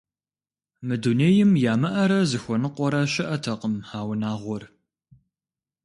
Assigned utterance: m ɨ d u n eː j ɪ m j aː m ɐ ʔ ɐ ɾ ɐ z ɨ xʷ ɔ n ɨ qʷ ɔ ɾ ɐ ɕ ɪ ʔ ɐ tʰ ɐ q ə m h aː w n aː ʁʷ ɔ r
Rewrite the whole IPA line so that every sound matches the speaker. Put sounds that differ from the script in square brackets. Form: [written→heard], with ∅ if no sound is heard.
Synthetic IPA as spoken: m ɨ d u n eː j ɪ m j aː m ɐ ʔ ɐ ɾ ɐ z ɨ xʷ ɔ n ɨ qʷ ɔ ɾ ɐ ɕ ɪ ʔ ɐ tʰ ɐ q ə m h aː w n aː ʁʷ ɔ r

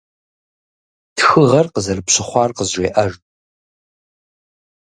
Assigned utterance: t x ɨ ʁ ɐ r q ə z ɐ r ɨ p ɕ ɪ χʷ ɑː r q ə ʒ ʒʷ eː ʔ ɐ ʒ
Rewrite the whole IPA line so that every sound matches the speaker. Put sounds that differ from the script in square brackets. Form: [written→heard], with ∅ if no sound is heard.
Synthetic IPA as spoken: t x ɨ ʁ ɐ r q ə z ɐ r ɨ p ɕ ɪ χʷ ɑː r q ə [ʒ→z] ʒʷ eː ʔ ɐ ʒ

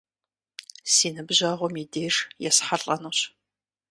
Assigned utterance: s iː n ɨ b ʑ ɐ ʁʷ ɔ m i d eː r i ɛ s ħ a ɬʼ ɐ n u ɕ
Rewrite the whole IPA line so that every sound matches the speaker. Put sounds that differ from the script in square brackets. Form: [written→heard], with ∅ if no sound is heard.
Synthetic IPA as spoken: s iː n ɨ b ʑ ɐ ʁʷ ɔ m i d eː r [i→j] ɛ s ħ a ɬʼ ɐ n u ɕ

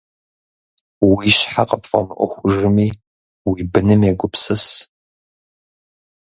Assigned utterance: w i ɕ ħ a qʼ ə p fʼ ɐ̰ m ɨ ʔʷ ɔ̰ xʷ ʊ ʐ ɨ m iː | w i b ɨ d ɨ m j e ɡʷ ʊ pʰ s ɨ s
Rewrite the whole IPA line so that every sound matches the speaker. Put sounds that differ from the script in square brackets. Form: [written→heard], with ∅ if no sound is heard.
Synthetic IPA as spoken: w i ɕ ħ a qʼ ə p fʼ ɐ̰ m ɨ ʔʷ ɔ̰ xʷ ʊ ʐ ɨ m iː | w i b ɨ [d→n] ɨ m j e ɡʷ ʊ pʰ s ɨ s

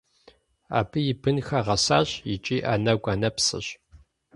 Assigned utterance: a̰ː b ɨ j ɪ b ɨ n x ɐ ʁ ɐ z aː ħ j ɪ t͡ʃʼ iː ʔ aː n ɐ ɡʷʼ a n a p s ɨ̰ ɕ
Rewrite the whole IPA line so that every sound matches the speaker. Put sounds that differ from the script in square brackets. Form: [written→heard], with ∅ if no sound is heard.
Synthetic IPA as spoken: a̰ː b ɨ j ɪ b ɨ n x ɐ ʁ ɐ [z→s] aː [ħ→ɕ] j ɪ t͡ʃʼ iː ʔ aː n ɐ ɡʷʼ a n [a→ɐ] p s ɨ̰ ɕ

